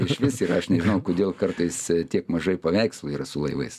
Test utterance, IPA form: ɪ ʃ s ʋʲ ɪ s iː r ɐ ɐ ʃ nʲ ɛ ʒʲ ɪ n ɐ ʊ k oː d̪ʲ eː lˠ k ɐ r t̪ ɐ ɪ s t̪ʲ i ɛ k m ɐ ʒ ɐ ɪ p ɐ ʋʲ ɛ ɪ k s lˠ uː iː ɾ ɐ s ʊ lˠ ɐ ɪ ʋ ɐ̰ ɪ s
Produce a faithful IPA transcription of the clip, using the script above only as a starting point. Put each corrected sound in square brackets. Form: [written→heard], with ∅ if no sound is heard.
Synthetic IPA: ɪ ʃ [s→ʃ] ʋʲ ɪ s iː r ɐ ɐ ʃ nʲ ɛ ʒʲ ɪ n ɐ ʊ k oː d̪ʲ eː lˠ k ɐ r t̪ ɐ ɪ s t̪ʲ i ɛ k m ɐ ʒ ɐ ɪ p ɐ ʋʲ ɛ ɪ k s lˠ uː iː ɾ ɐ s ʊ lˠ ɐ ɪ ʋ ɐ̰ ɪ s